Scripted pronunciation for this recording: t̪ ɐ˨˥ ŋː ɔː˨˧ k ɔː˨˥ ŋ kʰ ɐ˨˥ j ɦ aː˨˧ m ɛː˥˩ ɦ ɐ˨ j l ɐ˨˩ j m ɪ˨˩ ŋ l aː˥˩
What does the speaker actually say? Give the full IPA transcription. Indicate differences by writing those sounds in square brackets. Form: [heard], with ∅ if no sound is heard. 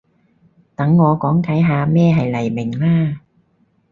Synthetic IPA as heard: t̪ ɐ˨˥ ŋː ɔː˨˧ k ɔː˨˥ ŋ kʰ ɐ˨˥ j ɦ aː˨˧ m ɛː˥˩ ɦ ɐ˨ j l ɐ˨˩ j m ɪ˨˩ ŋ l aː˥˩